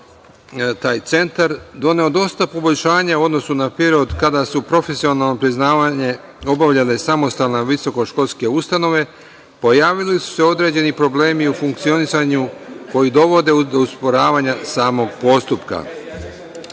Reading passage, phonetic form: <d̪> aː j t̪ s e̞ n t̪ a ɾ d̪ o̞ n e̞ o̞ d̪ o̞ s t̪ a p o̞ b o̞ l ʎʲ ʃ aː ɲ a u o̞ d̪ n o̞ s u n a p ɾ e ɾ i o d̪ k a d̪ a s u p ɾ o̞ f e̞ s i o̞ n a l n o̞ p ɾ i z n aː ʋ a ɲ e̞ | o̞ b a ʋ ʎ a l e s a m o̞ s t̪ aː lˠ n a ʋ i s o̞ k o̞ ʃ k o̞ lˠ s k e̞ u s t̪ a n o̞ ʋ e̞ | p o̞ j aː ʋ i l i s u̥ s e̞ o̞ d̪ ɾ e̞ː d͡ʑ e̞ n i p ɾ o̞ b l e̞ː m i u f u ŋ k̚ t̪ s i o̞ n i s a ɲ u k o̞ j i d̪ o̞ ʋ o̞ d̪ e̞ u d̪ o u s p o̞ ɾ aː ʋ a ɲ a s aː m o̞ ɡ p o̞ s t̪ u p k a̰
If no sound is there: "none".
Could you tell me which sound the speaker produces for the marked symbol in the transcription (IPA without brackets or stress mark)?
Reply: t̪